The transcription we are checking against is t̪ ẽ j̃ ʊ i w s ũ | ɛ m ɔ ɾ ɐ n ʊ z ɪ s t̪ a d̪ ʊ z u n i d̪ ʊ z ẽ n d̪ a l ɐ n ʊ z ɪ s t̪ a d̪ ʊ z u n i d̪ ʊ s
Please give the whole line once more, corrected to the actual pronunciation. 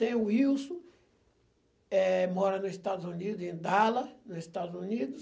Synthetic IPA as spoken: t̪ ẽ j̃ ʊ i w s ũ | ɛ m ɔ ɾ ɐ n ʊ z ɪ s t̪ a d̪ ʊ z u n i d̪ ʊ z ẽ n d̪ a l ɐ n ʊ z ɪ s t̪ a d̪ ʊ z u n i d̪ ʊ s